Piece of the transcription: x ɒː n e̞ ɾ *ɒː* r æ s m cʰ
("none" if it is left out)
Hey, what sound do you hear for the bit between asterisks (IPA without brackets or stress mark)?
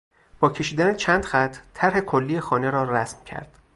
ɒː